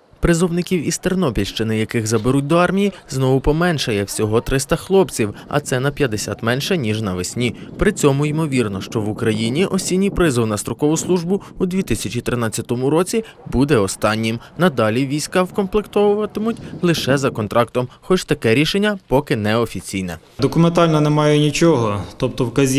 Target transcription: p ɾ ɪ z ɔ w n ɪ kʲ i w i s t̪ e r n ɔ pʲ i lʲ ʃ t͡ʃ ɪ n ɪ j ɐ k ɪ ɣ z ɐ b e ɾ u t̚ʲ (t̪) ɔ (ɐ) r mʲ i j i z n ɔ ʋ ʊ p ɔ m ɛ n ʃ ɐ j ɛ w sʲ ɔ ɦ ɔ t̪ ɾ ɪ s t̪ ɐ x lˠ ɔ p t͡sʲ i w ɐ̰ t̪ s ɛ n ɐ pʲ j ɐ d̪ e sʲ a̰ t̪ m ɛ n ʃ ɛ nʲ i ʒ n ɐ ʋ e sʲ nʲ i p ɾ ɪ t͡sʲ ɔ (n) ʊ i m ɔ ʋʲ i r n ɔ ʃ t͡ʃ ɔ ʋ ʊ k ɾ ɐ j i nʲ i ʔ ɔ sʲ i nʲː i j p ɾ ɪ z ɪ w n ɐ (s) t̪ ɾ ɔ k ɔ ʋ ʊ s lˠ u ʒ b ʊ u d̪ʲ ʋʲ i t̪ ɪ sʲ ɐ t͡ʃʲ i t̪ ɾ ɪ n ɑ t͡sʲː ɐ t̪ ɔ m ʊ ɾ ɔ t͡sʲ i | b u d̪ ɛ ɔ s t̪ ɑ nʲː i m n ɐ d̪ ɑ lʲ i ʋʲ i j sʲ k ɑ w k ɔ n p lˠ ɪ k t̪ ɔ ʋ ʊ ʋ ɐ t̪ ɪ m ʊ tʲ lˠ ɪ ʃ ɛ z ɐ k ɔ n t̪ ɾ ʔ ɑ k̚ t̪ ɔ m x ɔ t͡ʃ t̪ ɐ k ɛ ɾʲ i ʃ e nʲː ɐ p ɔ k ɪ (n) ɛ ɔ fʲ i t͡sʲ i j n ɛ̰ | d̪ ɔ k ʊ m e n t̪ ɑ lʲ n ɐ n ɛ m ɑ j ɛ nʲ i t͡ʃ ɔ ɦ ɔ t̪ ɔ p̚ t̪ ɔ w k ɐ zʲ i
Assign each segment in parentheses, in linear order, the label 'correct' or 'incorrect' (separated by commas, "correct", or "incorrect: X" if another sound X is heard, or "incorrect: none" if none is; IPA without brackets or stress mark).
incorrect: d̪, incorrect: ɑ, incorrect: m, correct, correct